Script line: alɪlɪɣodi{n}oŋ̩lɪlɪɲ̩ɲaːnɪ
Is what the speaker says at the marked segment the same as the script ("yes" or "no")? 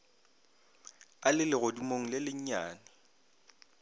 no